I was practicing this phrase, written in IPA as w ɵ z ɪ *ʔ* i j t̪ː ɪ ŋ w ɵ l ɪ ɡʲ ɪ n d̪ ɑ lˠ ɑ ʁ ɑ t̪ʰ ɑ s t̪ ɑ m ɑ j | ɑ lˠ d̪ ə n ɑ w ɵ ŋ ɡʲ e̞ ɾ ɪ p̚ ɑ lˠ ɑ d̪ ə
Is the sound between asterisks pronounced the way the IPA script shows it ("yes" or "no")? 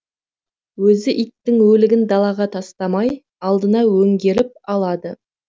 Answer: yes